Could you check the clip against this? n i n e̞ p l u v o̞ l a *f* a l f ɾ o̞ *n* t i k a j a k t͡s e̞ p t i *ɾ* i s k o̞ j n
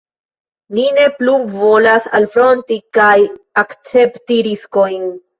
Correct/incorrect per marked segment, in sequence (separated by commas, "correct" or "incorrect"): incorrect, correct, correct